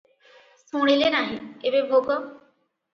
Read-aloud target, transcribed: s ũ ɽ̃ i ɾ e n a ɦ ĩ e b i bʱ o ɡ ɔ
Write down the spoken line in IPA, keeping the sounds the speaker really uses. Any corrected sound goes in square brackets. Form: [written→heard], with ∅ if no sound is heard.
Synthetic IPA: s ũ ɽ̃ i [ɾ→l] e n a ɦ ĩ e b [i→e] bʱ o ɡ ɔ